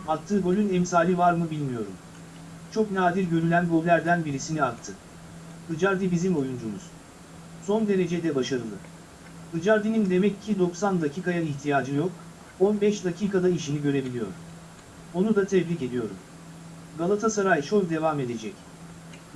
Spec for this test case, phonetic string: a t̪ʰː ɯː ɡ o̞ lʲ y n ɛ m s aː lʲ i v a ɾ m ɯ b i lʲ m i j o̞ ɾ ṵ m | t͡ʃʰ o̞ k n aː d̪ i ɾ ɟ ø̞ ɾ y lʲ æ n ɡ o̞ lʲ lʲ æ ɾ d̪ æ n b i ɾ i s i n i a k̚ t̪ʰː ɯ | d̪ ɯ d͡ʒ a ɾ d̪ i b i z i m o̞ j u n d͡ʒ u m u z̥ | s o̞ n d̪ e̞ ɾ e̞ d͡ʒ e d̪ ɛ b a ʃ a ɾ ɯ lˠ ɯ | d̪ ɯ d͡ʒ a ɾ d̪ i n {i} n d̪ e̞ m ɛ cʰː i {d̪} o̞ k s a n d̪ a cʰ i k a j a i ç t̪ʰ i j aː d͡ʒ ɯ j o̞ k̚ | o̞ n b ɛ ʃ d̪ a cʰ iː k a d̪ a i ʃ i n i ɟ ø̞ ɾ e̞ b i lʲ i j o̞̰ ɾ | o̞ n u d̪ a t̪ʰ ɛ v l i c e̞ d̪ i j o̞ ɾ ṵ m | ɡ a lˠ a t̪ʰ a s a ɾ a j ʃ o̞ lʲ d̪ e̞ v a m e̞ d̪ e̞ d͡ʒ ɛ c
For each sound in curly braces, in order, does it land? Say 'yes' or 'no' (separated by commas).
yes, yes